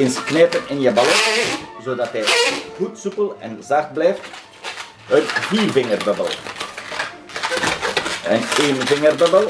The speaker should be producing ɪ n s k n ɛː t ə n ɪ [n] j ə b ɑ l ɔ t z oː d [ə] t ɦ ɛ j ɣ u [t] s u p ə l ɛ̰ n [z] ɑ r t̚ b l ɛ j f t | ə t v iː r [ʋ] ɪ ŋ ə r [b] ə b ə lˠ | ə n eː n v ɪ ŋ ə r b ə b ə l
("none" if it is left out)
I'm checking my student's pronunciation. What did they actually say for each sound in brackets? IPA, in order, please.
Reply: n, ɑ, t, z, v, b

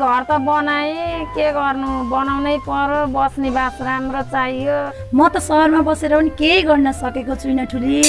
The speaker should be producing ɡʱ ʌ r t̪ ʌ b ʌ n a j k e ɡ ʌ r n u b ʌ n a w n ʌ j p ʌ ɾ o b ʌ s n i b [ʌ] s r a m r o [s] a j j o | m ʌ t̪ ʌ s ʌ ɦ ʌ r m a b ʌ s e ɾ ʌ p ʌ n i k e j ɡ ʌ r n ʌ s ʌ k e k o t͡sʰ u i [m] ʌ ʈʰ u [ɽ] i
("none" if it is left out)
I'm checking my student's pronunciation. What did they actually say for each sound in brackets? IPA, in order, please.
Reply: a, t͡s, n, l

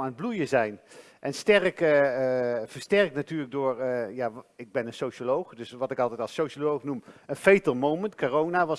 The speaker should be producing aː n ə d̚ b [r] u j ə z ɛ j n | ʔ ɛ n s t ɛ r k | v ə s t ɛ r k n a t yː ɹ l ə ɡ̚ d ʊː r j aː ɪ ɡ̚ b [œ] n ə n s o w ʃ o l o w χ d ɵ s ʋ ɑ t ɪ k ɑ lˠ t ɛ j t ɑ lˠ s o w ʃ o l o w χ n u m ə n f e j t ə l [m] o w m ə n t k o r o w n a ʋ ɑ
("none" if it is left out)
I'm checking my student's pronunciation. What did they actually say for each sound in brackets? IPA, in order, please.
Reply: l, ɛ, m

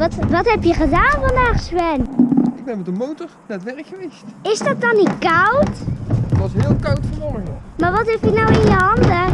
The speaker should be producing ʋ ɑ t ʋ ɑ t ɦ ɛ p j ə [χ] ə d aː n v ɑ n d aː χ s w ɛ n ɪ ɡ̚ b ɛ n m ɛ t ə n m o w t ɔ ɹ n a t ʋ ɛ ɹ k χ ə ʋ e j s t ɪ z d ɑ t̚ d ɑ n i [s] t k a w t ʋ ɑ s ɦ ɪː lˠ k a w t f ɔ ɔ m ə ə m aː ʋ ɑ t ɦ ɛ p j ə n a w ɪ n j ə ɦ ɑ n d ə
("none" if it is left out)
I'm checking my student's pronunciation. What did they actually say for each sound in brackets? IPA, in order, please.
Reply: χ, none

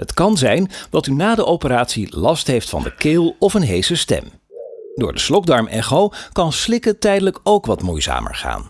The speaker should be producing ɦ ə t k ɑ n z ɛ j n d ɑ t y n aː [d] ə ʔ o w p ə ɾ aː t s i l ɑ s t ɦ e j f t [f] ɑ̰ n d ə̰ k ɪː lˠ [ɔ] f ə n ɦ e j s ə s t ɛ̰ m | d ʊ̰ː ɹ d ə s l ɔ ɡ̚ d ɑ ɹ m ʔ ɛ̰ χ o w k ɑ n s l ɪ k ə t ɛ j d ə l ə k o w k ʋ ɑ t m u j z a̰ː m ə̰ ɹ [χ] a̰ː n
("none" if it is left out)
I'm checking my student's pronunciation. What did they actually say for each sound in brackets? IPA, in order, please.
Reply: d, f, ɔ, χ

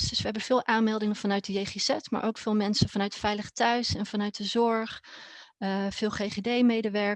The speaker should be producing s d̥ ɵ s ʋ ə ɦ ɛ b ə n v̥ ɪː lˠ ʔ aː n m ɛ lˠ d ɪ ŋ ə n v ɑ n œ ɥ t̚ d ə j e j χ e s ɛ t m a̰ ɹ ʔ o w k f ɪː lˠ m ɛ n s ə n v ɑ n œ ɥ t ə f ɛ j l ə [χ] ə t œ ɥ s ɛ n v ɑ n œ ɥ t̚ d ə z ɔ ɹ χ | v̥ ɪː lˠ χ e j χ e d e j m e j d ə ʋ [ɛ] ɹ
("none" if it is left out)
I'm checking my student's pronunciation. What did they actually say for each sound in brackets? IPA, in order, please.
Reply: χ, ɛ

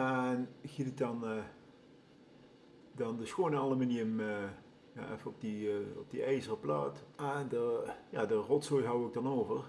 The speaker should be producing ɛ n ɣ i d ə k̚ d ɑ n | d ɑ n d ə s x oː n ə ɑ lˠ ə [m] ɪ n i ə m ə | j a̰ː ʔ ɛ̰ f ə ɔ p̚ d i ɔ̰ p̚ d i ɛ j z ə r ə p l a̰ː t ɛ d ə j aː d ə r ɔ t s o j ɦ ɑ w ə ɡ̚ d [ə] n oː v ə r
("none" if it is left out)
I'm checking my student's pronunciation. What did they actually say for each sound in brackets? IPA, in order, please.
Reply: m, ɑ

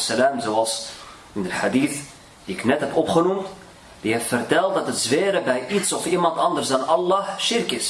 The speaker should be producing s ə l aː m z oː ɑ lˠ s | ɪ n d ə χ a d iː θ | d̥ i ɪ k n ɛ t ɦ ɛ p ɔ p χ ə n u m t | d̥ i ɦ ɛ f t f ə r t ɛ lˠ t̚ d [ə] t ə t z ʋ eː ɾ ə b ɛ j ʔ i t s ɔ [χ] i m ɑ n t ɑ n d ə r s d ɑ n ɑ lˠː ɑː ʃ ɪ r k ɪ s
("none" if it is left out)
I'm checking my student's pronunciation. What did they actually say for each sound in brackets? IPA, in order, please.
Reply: ɑ, f

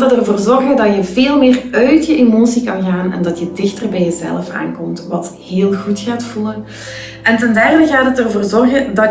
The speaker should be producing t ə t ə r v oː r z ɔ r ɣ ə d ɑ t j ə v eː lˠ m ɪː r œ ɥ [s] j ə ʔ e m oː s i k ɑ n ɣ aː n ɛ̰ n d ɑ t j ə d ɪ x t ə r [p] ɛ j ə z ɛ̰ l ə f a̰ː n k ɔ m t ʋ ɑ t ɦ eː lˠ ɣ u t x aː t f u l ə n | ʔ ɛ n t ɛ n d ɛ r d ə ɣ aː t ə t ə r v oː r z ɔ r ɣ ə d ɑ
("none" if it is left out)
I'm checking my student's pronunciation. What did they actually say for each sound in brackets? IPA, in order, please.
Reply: t, b

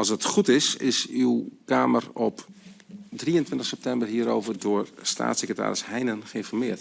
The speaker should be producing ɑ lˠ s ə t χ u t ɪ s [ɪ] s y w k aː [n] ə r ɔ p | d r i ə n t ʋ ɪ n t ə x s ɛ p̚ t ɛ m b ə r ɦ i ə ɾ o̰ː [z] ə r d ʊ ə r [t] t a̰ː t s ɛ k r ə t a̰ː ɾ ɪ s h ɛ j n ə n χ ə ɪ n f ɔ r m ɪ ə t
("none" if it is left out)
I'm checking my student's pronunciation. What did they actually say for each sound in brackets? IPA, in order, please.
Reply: ɪ, m, v, s

